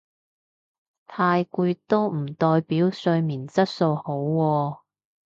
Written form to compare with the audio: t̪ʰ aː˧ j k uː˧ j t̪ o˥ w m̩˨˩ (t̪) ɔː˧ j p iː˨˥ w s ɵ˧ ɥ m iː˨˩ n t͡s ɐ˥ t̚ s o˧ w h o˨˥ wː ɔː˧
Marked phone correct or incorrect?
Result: correct